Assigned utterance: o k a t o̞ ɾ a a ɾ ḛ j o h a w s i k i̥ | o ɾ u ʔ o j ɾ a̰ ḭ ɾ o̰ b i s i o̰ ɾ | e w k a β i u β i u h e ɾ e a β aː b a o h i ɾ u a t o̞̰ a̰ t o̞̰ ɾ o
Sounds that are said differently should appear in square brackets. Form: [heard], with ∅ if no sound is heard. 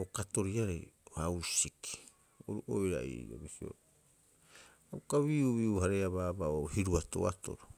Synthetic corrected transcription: o k a t o̞ ɾ [i] a ɾ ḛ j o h a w s i k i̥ | o ɾ u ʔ o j ɾ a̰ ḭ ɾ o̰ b i s i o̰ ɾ | [a] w k a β i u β i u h [a] ɾ e a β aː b a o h i ɾ u a t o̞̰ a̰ t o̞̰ ɾ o